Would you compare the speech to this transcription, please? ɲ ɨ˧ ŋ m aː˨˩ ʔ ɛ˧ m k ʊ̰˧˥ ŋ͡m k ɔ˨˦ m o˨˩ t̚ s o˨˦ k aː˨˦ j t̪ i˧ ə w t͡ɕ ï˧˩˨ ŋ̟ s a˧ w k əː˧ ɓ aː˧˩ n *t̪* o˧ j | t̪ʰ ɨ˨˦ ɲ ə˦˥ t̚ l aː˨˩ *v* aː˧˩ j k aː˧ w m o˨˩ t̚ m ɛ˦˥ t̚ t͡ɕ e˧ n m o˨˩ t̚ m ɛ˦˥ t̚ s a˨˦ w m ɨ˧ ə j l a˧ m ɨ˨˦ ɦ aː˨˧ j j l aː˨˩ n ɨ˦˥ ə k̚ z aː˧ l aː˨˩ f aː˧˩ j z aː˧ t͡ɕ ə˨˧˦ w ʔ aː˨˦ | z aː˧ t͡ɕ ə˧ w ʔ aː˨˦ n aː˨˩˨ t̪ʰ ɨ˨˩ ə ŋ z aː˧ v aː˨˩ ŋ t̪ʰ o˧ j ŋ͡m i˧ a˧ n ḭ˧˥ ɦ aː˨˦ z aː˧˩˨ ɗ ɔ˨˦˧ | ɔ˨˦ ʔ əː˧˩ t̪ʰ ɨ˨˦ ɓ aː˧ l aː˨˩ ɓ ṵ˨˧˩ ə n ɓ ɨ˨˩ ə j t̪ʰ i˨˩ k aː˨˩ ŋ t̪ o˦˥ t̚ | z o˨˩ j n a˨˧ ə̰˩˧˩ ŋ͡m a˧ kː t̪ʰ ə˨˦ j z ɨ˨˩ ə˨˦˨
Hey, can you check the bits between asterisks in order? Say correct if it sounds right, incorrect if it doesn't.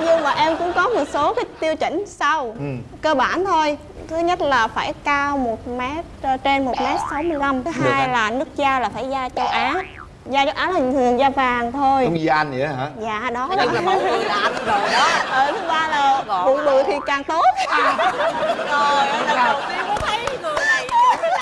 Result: incorrect: t̪ʰ, incorrect: f

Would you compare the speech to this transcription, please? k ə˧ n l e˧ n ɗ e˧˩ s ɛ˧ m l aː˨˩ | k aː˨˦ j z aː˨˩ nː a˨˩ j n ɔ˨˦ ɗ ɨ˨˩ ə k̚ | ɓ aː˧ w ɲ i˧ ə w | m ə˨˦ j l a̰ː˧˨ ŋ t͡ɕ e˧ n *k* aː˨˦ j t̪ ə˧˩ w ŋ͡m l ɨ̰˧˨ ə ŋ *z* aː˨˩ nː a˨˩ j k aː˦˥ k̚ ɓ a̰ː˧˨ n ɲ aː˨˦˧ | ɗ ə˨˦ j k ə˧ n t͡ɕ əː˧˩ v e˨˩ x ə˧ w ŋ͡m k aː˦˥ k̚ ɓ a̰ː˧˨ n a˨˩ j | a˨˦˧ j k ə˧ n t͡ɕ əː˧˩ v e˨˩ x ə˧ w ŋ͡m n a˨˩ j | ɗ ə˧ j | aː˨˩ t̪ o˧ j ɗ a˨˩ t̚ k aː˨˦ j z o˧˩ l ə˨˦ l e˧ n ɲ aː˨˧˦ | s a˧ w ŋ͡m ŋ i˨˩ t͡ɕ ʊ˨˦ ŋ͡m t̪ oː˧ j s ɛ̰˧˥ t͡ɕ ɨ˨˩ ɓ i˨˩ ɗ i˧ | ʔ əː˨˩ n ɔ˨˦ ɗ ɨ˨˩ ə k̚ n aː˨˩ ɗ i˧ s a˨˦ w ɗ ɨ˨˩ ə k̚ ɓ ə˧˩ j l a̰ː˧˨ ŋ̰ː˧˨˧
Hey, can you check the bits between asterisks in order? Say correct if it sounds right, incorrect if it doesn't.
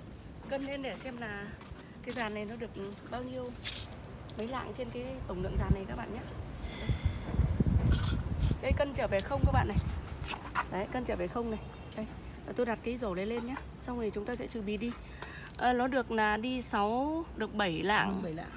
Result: correct, correct

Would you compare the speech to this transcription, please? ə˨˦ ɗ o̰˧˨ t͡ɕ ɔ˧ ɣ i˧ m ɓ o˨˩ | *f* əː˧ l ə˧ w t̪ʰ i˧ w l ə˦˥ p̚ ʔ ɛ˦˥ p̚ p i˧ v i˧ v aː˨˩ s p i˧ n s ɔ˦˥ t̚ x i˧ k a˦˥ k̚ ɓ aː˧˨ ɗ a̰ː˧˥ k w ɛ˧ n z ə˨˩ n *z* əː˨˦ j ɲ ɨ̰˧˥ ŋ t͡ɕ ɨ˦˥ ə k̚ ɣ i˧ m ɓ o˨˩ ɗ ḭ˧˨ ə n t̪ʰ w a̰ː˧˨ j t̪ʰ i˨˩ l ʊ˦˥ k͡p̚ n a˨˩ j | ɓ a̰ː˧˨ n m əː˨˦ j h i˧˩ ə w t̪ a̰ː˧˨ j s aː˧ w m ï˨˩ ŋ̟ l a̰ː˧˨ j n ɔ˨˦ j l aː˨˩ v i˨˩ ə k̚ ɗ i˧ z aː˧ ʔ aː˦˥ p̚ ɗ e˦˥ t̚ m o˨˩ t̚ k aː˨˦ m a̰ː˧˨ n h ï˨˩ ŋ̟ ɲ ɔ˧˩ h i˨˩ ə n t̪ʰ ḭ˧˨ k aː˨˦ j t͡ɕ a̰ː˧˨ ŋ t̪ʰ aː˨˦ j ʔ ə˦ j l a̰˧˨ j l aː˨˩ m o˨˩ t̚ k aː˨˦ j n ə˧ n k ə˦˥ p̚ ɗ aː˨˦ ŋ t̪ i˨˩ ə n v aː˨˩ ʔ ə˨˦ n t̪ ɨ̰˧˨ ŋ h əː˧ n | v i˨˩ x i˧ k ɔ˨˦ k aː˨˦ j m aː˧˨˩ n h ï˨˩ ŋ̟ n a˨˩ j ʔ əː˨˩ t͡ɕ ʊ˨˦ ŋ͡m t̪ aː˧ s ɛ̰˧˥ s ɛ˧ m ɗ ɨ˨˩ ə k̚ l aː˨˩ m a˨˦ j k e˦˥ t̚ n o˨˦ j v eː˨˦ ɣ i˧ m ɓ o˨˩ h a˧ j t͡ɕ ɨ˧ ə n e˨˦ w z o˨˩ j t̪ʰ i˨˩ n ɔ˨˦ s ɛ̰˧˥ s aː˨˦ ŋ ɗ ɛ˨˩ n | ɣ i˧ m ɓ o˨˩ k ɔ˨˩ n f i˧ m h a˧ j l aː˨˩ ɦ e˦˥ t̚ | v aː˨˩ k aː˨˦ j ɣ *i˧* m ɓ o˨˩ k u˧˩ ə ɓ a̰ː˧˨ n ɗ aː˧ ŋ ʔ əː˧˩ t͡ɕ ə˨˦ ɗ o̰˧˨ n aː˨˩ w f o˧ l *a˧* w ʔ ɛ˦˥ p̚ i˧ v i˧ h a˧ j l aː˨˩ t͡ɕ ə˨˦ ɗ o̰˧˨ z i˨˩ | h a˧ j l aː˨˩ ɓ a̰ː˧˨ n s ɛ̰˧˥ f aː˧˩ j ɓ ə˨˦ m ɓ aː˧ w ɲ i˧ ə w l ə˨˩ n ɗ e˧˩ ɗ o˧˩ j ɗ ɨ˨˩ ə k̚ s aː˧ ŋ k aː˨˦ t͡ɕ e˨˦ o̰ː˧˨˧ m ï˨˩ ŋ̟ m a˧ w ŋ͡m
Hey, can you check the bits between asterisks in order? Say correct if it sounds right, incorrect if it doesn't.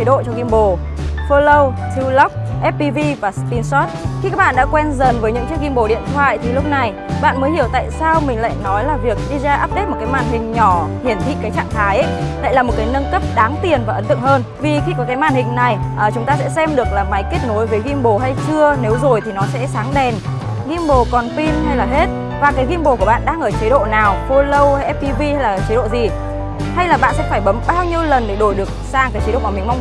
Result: correct, incorrect: v, correct, incorrect: ə˧

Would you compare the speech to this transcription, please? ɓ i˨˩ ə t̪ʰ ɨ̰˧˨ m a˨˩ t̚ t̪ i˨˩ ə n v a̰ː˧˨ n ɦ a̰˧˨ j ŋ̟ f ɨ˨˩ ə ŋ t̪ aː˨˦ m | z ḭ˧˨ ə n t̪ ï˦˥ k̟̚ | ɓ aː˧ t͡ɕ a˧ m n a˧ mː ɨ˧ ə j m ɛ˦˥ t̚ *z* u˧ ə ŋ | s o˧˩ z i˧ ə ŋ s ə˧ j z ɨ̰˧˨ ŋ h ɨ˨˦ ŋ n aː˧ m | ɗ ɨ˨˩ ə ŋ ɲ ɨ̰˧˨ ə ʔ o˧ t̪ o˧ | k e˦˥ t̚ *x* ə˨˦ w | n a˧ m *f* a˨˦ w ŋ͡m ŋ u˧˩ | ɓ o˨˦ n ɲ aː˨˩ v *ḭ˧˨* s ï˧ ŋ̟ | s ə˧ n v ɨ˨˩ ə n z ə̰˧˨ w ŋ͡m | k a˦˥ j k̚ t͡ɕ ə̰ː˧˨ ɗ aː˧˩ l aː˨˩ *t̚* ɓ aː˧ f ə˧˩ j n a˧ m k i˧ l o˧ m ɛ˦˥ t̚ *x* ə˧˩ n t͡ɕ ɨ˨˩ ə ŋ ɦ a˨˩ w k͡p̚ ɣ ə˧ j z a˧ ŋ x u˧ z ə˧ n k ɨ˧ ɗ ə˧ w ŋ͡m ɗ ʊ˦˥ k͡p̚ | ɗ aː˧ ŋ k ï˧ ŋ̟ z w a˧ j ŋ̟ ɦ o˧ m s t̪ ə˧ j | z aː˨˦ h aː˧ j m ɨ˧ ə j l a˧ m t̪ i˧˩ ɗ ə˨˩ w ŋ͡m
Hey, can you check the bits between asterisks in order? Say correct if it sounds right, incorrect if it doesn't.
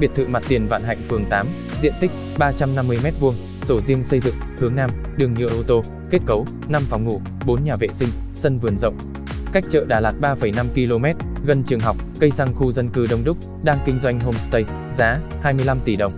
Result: incorrect: v, incorrect: k, correct, incorrect: ḛ˧˨, correct, incorrect: ɣ

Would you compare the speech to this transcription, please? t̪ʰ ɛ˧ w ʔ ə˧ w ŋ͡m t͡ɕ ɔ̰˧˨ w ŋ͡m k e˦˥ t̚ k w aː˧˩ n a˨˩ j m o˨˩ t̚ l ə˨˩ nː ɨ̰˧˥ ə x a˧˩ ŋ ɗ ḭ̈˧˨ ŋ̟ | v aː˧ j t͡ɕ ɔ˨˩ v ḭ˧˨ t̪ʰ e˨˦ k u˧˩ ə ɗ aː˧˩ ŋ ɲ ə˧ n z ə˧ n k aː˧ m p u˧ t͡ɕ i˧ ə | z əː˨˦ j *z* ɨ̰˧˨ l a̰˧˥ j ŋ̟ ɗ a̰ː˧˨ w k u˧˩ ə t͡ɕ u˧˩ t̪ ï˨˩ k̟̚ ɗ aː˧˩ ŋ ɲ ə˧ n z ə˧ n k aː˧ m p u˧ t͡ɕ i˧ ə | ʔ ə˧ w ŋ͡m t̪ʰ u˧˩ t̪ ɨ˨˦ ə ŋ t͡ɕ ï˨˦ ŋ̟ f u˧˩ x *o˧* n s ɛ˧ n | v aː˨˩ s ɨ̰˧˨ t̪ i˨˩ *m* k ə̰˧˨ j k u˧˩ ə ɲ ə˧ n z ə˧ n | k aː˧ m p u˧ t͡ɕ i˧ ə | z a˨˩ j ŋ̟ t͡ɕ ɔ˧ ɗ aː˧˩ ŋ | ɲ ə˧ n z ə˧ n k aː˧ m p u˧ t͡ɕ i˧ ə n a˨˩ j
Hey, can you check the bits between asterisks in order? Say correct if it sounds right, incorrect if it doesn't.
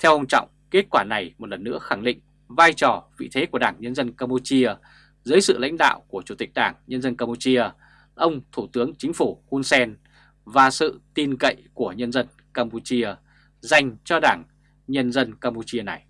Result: incorrect: s, incorrect: u˧, incorrect: n

